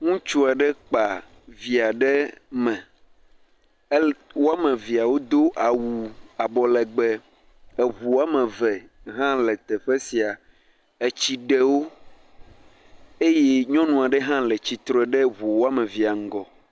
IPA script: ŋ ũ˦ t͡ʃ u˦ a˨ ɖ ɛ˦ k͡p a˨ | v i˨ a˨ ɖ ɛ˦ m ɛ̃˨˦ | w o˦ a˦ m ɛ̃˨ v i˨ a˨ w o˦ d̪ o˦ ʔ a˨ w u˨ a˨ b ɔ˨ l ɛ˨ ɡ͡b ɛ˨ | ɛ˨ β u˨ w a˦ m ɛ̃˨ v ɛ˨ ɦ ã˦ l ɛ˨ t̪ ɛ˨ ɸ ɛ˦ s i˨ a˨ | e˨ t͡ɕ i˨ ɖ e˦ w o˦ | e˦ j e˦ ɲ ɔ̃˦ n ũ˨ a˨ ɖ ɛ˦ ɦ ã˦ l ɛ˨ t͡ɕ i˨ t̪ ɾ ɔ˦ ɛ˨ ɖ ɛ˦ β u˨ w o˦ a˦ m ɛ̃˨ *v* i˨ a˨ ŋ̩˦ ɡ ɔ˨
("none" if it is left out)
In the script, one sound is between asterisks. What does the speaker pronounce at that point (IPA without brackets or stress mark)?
v